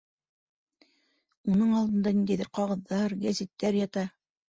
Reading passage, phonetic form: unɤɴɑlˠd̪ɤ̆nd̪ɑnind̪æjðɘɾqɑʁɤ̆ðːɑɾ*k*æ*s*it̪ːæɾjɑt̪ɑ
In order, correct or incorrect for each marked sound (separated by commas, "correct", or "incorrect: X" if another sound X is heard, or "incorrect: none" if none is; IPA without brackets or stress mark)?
incorrect: ɡ, incorrect: z